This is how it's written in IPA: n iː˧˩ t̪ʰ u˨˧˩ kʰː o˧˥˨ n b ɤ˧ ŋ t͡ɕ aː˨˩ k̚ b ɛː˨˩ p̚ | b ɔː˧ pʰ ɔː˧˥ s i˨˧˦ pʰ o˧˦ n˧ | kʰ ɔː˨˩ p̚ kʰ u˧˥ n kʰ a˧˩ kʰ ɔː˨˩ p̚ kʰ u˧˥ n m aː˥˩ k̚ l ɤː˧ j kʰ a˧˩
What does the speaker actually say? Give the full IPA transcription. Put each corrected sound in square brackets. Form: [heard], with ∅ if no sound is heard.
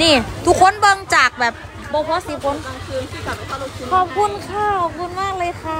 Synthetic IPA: n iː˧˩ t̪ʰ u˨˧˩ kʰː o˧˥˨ n b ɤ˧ ŋ t͡ɕ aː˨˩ k̚ b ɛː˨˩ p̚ | b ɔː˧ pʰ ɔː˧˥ s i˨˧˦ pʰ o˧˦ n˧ | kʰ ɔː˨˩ p̚ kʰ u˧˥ n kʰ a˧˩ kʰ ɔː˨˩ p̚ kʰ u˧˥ n m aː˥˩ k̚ l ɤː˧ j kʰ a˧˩